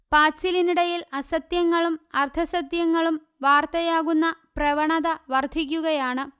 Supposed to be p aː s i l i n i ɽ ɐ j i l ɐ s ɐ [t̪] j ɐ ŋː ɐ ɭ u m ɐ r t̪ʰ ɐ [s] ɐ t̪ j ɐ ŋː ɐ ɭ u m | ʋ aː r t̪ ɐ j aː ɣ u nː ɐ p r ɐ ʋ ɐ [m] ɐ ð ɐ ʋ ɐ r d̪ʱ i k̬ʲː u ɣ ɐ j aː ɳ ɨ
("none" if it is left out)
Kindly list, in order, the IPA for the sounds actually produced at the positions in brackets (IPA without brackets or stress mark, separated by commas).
t̪, s, ɳ